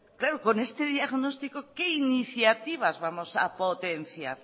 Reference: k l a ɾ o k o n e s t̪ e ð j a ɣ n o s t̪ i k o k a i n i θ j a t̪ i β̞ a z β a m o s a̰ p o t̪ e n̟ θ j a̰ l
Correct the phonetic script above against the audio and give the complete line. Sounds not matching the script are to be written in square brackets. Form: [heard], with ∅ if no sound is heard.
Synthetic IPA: k l a ɾ o k o n e s t̪ e ð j a ɣ n o s t̪ i k o k [e] i n i θ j a t̪ i β̞ a z β a m o s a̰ p o t̪ e n̟ θ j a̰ [ɾ]